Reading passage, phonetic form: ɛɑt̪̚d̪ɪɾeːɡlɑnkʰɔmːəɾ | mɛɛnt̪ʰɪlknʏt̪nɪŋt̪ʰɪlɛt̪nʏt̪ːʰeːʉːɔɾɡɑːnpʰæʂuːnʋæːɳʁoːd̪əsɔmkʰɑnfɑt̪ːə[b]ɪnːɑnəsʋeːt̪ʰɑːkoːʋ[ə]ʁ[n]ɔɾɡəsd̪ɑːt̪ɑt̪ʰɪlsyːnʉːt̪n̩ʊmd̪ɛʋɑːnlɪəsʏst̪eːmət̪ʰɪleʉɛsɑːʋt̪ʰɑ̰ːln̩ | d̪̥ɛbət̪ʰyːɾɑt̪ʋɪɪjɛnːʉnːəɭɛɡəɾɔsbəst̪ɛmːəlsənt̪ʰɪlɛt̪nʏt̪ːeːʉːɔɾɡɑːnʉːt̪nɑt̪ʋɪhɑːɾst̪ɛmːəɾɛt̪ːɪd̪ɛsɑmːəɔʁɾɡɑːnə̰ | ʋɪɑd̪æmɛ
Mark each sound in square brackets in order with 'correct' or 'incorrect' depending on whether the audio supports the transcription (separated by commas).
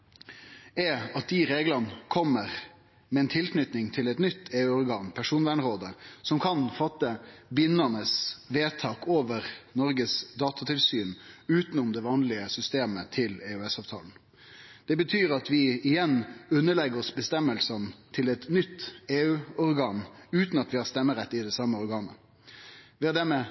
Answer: correct, correct, correct